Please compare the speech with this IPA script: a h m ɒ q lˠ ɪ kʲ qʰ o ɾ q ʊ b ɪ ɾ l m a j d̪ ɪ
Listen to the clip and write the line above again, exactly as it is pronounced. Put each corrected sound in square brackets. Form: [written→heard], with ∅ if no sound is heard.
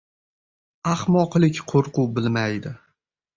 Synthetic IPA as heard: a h m ɒ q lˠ ɪ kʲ qʰ o ɾ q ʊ b ɪ [ɾ→∅] l m a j d̪ ɪ